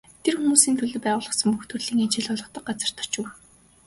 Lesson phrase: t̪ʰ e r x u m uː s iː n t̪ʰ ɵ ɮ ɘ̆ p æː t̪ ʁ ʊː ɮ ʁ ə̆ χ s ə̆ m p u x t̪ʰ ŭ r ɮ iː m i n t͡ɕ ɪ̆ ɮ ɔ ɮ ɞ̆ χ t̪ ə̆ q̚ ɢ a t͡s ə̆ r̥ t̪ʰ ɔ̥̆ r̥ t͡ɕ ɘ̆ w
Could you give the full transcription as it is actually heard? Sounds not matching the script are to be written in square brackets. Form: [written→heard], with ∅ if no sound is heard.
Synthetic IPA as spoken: t̪ʰ e r x u m uː s iː n t̪ʰ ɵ ɮ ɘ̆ p æː [t̪→∅] ʁ ʊː ɮ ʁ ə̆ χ s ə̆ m p u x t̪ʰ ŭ r ɮ iː [m→ŋ] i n t͡ɕ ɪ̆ ɮ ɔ ɮ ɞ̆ χ t̪ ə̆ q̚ ɢ a t͡s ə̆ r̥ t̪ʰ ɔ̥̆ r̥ t͡ɕ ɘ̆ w